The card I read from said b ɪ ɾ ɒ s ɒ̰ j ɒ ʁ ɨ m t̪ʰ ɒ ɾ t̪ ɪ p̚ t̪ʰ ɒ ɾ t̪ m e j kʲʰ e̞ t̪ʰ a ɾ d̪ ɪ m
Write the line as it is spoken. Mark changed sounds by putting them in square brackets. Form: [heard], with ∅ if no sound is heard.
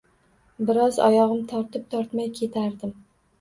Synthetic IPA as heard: b ɪ ɾ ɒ [z] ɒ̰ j ɒ ʁ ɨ m t̪ʰ ɒ ɾ t̪ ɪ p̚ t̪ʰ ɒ ɾ t̪ m [a] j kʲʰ e̞ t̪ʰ a ɾ d̪ ɪ m